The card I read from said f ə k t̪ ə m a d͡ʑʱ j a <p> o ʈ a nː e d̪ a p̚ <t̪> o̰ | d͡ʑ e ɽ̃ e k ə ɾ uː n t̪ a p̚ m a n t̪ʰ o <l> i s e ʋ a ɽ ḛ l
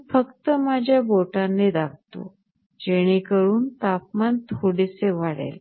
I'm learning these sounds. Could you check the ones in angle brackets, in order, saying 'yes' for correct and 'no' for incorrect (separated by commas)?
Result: no, yes, no